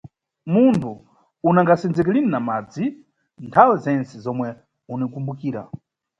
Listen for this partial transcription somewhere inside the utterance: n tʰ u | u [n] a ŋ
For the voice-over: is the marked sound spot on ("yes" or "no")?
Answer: yes